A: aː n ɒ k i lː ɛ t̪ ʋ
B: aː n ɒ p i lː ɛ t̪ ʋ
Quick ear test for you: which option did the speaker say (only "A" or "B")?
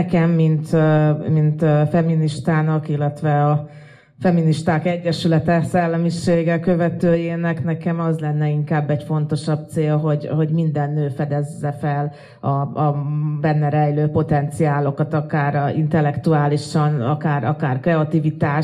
A